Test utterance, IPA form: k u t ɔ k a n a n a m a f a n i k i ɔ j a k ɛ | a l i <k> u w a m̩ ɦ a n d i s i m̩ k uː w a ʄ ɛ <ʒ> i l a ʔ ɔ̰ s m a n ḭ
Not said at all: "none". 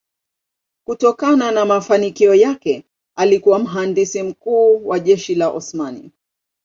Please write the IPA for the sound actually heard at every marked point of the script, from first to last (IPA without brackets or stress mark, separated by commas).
k, ʃ